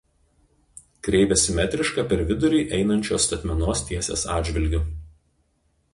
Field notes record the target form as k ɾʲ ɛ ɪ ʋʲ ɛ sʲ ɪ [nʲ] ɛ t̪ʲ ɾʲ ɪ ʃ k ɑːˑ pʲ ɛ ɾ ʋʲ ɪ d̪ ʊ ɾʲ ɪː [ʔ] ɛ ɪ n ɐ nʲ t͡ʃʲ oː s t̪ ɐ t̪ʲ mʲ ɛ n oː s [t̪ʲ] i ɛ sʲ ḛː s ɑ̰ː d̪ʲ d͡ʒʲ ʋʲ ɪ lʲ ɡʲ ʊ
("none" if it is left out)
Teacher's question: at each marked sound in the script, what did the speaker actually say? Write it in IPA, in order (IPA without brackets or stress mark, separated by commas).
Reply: mʲ, ʔ, t̪ʲ